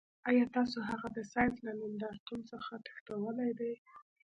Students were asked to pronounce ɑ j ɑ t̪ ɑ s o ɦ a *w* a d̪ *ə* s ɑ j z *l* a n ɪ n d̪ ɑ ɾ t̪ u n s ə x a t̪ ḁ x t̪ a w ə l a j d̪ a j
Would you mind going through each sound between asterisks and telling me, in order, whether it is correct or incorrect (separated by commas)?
incorrect, correct, correct